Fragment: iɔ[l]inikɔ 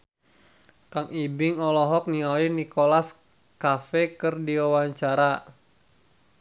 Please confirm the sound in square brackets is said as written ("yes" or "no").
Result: yes